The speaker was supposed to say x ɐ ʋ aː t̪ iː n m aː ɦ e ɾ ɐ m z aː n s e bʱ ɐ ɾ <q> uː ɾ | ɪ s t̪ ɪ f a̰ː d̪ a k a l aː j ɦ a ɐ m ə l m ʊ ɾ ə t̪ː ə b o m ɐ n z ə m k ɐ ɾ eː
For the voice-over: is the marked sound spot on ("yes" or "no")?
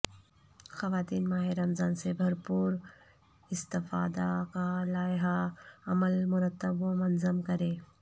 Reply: no